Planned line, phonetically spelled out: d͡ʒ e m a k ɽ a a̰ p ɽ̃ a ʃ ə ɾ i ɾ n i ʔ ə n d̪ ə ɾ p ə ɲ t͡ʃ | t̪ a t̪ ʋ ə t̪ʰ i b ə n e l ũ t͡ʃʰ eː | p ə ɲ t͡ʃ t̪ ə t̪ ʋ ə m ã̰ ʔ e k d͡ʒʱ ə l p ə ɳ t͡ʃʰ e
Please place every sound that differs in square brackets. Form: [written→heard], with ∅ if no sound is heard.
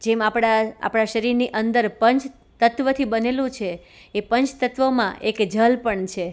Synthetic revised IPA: d͡ʒ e m a [k→p] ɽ a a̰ p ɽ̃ a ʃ ə ɾ i ɾ n i ʔ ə n d̪ ə ɾ p ə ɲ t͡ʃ | t̪ [a→ə] t̪ ʋ ə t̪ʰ i b ə n e l ũ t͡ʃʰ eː | p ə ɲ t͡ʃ t̪ ə t̪ ʋ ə m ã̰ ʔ e k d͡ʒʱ ə l p ə ɳ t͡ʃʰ e